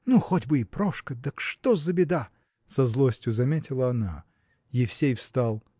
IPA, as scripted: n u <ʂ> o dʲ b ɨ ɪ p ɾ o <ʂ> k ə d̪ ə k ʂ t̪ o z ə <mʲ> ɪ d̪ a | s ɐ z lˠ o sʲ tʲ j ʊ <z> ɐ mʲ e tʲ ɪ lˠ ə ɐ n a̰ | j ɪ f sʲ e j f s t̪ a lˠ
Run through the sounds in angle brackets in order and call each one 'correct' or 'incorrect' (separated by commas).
incorrect, correct, incorrect, correct